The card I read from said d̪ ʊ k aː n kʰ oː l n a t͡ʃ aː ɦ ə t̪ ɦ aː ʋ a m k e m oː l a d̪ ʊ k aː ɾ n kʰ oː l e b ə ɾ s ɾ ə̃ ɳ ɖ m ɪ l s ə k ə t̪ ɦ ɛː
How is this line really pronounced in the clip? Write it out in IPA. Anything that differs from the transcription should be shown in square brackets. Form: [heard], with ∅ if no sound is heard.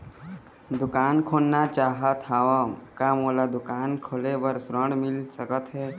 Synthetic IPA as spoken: d̪ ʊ k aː n kʰ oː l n a t͡ʃ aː ɦ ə t̪ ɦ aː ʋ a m k [a] m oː l a d̪ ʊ k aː [∅] n kʰ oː l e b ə ɾ s ɾ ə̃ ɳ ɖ m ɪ l s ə k ə t̪ ɦ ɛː